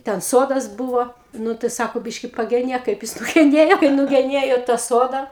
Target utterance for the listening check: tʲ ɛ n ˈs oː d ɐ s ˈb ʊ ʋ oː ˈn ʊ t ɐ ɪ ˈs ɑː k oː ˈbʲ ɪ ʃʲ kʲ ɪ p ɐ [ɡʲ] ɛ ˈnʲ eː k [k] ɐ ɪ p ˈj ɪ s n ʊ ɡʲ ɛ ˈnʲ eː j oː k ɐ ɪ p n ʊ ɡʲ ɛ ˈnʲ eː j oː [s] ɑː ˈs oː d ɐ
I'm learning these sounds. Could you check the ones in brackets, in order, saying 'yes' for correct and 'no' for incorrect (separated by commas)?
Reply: yes, yes, no